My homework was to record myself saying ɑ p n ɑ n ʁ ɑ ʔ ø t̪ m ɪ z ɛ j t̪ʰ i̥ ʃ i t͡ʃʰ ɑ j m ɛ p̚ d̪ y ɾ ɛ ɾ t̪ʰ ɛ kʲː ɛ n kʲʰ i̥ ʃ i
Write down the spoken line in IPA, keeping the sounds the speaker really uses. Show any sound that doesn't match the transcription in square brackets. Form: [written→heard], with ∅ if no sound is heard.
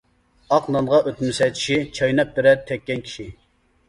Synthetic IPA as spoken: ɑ [p→q] n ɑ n ʁ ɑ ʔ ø t̪ m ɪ [z→s] ɛ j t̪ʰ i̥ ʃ i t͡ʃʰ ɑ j [m→n] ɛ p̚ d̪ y ɾ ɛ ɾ t̪ʰ ɛ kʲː ɛ n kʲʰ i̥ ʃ i

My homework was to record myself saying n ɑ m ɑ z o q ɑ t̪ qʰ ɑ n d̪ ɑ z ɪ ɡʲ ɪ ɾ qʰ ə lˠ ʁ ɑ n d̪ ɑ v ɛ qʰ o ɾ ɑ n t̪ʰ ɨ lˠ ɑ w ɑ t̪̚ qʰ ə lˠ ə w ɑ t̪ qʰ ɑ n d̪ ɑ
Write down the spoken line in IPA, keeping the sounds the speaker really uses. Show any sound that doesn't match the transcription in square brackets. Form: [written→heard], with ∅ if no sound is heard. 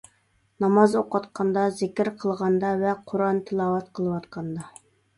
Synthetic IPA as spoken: n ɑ m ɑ z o q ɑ t̪ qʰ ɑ n d̪ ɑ z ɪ [ɡʲ→kʲ] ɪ ɾ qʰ ə lˠ ʁ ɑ n d̪ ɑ v ɛ qʰ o ɾ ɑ n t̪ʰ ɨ lˠ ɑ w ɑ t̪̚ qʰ ə lˠ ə w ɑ t̪ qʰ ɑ n d̪ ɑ

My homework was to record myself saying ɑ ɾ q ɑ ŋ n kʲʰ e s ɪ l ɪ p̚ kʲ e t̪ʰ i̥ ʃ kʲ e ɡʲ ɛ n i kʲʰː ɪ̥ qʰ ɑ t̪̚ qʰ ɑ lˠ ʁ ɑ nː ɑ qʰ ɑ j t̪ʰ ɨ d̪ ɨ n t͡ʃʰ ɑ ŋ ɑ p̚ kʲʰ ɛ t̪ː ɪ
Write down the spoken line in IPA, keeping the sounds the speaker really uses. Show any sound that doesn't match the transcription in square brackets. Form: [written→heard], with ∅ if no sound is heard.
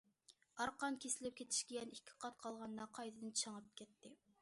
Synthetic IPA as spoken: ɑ ɾ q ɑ [ŋ→∅] n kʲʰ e s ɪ l ɪ p̚ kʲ e t̪ʰ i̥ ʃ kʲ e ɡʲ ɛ n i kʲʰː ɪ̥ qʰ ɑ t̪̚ qʰ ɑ lˠ ʁ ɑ nː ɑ qʰ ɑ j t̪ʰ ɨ d̪ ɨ n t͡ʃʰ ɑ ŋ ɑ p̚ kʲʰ ɛ t̪ː ɪ

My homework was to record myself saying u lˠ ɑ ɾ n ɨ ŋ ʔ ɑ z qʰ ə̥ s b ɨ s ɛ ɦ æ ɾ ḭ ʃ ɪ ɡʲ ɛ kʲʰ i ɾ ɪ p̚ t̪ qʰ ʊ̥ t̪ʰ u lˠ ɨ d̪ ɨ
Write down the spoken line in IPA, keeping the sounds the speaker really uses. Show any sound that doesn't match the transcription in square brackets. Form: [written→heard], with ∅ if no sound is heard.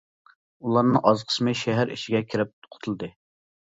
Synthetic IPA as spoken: u lˠ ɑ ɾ n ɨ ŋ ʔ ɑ z qʰ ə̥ s [b→m] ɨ [s→ʃ] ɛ ɦ æ ɾ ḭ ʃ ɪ ɡʲ ɛ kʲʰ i ɾ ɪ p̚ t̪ qʰ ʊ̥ t̪ʰ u lˠ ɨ d̪ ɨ

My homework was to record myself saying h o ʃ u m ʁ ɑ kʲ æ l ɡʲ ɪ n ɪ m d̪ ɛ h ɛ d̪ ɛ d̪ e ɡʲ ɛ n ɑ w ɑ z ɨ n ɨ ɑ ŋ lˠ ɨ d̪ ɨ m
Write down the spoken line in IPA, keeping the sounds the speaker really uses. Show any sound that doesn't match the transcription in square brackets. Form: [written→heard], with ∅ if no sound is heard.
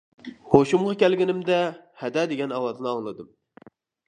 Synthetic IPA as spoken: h o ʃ u m ʁ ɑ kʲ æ l ɡʲ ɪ n ɪ m d̪ ɛ h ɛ d̪ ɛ d̪ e ɡʲ ɛ n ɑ w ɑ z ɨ n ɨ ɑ ŋ lˠ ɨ d̪ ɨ m

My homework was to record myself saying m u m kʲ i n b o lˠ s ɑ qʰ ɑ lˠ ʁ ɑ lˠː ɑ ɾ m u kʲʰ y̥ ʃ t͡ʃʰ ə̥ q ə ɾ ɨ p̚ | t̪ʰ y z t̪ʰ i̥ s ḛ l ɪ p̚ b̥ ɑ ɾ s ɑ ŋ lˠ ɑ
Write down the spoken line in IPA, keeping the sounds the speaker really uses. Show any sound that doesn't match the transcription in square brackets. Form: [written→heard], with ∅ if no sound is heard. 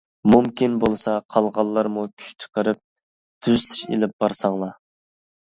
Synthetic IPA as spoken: m u m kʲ i n b o lˠ s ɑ qʰ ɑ lˠ ʁ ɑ lˠː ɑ ɾ m u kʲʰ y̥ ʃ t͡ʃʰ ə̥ q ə ɾ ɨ p̚ | t̪ʰ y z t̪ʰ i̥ [s→ʃ] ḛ l ɪ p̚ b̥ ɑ ɾ s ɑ ŋ lˠ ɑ

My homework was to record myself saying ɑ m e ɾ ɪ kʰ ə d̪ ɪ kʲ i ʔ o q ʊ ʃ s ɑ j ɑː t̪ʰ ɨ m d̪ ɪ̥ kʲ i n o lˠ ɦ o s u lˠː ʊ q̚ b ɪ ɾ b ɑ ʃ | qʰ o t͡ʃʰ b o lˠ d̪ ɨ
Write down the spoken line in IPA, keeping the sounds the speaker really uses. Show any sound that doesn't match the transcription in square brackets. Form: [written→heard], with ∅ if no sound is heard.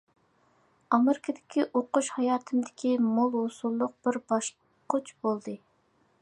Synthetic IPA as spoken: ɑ m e ɾ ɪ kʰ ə d̪ ɪ kʲ i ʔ o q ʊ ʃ [s→h] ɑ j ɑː t̪ʰ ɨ m d̪ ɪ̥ kʲ i [n→m] o lˠ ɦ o s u lˠː ʊ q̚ b ɪ ɾ b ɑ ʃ | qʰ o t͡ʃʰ b o lˠ d̪ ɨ

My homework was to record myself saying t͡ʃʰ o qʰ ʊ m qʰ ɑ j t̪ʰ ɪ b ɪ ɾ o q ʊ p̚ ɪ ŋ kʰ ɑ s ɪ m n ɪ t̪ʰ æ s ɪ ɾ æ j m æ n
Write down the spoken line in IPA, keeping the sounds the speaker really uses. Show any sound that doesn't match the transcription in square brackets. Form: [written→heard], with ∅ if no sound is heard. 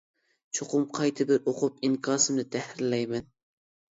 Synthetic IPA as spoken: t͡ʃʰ o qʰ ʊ m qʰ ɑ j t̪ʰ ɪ b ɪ ɾ o q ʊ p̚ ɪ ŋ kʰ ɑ s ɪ m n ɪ t̪ʰ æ [s→h] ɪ [ɾ→l] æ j m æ n

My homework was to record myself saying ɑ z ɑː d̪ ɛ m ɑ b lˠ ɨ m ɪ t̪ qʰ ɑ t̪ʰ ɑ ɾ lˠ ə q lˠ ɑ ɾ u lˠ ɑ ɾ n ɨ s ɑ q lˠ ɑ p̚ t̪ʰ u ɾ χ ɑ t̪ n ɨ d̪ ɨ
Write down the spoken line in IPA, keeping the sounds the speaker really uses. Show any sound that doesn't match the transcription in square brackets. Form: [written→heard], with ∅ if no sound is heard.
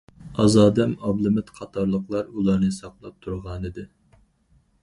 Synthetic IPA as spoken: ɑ z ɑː d̪ ɛ m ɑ b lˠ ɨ m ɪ t̪ qʰ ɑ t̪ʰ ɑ ɾ lˠ ə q lˠ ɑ ɾ u lˠ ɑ ɾ n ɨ s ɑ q lˠ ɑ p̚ t̪ʰ u ɾ [χ→ʁ] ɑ [t̪→∅] n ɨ d̪ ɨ

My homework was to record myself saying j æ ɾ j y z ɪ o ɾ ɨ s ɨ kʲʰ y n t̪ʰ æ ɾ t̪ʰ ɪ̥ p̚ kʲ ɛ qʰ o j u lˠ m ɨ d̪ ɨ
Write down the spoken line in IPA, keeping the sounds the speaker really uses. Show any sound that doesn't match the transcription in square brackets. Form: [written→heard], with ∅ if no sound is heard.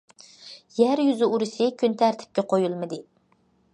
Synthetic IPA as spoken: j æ ɾ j y z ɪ [o→u] ɾ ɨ s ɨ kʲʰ y n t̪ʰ æ ɾ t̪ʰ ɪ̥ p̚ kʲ ɛ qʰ o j u lˠ m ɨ d̪ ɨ

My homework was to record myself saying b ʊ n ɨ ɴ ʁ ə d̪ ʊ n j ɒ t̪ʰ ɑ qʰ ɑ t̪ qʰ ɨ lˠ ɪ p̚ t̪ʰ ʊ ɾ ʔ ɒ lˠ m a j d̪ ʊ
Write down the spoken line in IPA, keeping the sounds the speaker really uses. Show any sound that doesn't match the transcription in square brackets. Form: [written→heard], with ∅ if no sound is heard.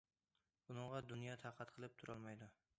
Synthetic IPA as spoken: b ʊ n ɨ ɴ ʁ [ə→ɑ] d̪ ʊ n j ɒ t̪ʰ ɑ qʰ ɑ t̪ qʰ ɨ lˠ ɪ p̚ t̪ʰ ʊ ɾ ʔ ɒ lˠ m a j d̪ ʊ

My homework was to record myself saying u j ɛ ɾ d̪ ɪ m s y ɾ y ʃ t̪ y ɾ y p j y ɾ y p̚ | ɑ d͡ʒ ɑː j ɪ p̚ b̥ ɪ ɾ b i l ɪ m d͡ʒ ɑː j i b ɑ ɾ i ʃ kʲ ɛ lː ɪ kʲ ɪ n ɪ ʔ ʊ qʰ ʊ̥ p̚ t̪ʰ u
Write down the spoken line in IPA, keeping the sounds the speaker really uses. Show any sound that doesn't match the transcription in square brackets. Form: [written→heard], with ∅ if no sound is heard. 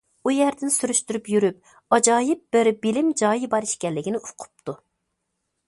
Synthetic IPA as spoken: u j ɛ ɾ d̪ ɪ [m→n] s y ɾ y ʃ t̪ y ɾ y p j y ɾ y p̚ | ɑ d͡ʒ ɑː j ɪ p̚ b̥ ɪ ɾ b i l ɪ m d͡ʒ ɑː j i b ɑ ɾ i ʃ kʲ ɛ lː ɪ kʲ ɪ n ɪ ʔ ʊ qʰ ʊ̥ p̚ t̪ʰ u

